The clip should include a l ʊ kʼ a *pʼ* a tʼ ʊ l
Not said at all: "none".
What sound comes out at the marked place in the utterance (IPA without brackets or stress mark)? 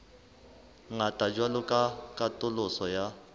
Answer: kʼ